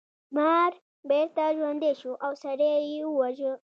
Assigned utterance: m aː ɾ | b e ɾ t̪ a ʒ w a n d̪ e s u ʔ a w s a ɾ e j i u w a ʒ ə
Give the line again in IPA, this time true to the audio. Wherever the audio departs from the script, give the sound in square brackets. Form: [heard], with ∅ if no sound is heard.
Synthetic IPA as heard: m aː ɾ | b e ɾ t̪ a ʒ w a n d̪ e [ʃ] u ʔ a w s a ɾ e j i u w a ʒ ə